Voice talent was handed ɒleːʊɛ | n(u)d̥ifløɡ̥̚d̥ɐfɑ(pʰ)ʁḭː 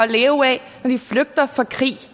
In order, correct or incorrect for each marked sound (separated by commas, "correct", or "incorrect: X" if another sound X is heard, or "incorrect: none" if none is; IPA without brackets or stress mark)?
incorrect: ɒ, incorrect: kʰ